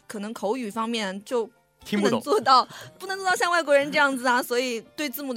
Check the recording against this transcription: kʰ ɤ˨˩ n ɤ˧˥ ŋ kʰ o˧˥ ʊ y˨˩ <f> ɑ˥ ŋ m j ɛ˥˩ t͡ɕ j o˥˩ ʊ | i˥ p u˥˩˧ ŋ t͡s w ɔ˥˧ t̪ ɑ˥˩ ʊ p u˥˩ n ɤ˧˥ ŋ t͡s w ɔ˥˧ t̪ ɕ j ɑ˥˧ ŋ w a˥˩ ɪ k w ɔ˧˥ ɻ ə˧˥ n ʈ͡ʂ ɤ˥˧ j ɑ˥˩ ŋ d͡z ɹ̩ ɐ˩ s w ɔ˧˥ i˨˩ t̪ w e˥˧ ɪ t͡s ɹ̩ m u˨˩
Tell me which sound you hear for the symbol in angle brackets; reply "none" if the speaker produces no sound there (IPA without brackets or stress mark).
f